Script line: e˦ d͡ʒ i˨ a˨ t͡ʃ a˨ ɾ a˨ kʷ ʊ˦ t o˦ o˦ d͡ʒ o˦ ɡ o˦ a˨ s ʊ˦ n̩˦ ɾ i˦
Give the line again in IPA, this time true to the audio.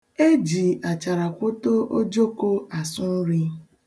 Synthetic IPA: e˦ d͡ʒ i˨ a˨ t͡ʃ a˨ ɾ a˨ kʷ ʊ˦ t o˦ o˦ d͡ʒ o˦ k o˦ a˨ s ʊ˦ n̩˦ ɾ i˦